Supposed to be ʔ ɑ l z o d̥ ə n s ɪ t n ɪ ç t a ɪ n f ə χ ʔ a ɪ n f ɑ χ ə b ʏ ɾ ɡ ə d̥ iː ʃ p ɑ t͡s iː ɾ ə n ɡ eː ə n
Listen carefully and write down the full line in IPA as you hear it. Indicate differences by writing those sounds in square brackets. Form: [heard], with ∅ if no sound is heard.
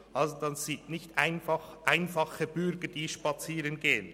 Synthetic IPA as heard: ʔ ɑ l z o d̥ [ɑ] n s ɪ t n ɪ ç t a ɪ n f [ɑ] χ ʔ a ɪ n f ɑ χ ə b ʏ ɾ ɡ ə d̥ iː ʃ p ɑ t͡s iː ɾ ə n ɡ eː ə n